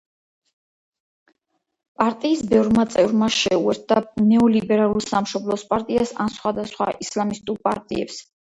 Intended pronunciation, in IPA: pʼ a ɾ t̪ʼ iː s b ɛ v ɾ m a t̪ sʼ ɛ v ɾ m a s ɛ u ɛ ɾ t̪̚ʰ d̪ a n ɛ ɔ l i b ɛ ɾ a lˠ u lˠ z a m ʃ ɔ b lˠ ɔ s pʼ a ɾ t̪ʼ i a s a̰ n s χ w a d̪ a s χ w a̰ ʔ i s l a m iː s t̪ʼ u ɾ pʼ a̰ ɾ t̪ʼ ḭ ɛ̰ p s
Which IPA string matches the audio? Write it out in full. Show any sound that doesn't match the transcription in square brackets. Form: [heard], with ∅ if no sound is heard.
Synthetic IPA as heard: pʼ a ɾ t̪ʼ iː s b ɛ v ɾ m a t̪ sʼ ɛ v ɾ m a [ʃ] ɛ u ɛ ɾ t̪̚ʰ d̪ a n ɛ ɔ l i b ɛ ɾ a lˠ u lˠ [s] a m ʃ ɔ b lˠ ɔ s pʼ a ɾ t̪ʼ i a s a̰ n s χ w a d̪ a s χ w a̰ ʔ i s l a m [i] s t̪ʼ u ɾ pʼ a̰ ɾ t̪ʼ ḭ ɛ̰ p s